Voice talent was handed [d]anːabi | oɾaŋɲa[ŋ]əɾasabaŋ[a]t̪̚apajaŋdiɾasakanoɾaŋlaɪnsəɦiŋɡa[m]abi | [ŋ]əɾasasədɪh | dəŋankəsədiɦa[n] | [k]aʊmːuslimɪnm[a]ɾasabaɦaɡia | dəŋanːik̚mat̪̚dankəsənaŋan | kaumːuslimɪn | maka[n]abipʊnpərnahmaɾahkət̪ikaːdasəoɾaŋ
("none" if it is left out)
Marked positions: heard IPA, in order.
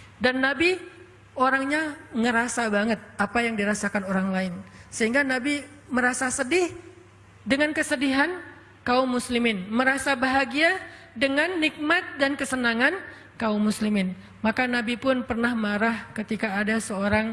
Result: d, ŋ, ə, n, m, n, k, ə, n

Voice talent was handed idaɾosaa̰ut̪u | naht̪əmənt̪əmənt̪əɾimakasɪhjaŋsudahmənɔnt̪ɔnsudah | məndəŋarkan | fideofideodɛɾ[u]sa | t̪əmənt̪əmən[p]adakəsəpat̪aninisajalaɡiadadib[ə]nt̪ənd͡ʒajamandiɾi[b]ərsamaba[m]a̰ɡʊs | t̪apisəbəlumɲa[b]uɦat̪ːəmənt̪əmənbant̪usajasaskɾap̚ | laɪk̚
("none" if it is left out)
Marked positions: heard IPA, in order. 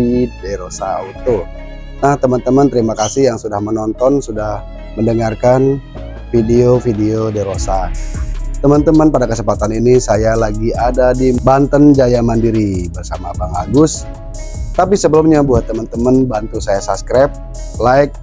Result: o, p, a, b, ŋ, b

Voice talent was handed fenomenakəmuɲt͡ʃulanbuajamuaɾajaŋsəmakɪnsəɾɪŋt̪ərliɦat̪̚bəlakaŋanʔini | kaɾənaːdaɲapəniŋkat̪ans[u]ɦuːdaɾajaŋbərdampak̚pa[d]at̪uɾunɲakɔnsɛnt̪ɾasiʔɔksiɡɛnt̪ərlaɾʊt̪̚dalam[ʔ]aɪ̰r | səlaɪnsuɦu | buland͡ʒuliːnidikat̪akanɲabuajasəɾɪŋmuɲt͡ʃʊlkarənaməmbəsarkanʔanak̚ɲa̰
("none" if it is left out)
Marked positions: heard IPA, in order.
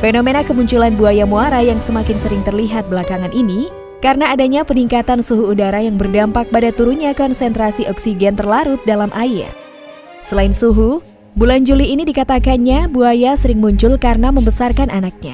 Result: u, d, ʔ

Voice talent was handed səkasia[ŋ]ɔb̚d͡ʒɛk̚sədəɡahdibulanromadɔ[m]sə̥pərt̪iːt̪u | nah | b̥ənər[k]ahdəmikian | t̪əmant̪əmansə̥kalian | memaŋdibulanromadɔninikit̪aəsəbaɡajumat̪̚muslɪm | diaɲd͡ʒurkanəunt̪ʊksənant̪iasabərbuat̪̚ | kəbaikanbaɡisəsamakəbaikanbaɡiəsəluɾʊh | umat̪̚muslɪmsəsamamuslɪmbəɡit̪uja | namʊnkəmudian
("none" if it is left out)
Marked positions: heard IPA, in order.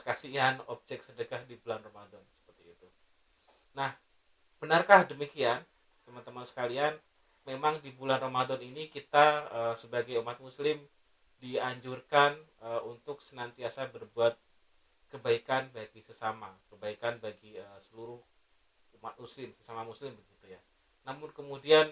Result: n, n, k

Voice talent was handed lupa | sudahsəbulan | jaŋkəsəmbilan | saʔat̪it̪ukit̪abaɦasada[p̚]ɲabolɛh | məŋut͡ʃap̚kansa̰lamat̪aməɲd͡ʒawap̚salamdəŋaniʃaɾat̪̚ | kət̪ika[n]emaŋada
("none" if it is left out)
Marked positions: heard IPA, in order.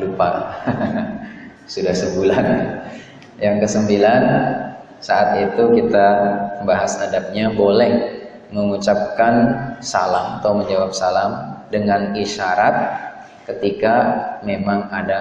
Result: p̚, m

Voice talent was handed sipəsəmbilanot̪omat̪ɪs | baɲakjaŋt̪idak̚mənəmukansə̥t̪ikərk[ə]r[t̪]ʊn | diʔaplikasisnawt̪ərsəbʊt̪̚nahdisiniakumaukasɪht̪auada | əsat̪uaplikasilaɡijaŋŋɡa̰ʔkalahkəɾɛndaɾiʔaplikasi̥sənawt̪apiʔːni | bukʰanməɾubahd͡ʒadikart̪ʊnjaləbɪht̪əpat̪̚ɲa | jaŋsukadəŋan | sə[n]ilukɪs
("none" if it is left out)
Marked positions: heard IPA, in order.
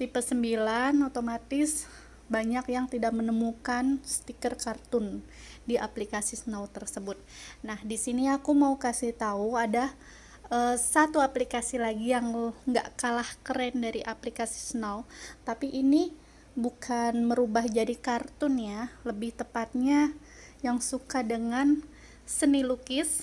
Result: a, t̪, n

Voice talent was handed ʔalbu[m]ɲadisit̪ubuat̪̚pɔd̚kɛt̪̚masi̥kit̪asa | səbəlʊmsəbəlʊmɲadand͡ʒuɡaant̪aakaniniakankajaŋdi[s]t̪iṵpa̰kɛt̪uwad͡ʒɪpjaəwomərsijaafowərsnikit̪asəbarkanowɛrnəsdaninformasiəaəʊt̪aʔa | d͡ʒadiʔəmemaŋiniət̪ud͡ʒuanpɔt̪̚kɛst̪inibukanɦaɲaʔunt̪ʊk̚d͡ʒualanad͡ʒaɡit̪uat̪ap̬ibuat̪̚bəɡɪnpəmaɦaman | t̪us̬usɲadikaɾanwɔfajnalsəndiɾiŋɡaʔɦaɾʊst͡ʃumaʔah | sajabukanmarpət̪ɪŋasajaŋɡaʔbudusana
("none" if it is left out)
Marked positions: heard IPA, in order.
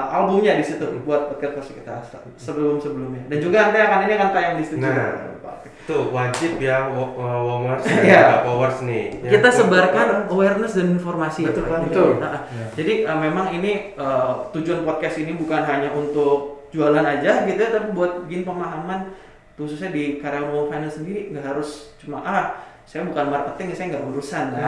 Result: m, s

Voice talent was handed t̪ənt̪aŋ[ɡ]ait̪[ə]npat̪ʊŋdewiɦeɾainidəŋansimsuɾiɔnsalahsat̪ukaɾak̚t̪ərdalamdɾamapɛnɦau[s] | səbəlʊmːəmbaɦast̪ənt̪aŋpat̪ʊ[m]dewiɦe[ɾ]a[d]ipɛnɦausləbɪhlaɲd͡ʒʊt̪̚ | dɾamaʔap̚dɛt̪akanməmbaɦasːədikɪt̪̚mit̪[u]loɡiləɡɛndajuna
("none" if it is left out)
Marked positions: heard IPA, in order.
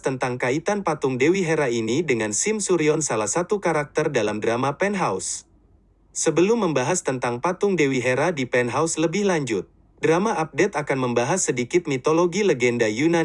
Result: k, a, s, ŋ, ɾ, d, o

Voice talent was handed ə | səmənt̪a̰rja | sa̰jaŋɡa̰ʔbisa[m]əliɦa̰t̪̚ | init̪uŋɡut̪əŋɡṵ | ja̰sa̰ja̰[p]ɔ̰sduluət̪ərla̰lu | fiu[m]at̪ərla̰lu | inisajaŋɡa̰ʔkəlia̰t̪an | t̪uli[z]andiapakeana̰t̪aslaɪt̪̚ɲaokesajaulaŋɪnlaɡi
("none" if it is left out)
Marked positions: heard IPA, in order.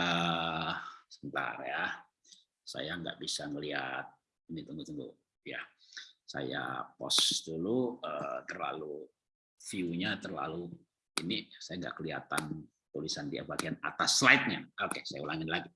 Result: ŋ, p, ɲ, s

